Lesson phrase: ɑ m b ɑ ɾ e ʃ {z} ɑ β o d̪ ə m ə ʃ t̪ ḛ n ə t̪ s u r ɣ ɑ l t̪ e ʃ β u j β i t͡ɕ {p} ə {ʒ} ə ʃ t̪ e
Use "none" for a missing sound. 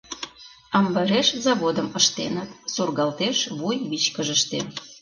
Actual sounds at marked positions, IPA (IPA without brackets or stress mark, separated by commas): z, k, ʒ